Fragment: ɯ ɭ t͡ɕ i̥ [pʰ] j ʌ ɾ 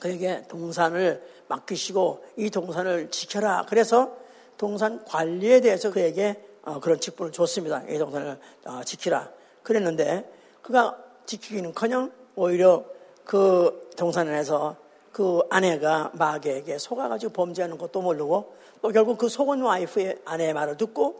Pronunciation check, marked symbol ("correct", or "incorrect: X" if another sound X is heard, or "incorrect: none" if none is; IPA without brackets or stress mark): incorrect: kʰ